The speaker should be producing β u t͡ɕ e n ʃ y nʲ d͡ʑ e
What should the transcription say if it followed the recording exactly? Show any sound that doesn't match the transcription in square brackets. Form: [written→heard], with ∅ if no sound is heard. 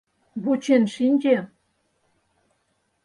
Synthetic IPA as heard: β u t͡ɕ e n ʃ [y→i] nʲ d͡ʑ e